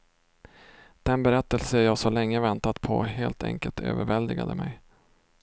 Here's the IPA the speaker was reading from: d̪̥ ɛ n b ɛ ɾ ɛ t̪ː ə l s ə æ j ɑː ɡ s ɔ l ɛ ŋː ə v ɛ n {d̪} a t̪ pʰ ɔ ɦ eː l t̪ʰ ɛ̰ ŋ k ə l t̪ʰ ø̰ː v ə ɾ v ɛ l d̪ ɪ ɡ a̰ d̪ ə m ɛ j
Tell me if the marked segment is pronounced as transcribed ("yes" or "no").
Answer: no